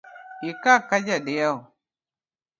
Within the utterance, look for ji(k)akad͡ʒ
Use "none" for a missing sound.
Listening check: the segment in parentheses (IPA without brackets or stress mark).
k